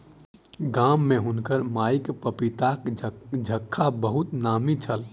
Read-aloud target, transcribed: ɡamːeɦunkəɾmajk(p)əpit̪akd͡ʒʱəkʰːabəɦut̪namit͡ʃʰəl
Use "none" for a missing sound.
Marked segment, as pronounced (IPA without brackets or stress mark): p